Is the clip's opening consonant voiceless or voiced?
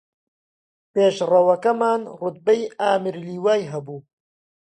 voiceless